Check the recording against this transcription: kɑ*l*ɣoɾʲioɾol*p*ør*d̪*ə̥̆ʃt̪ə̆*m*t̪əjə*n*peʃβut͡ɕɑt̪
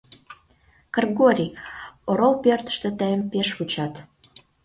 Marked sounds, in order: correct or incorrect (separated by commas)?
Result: incorrect, correct, incorrect, incorrect, incorrect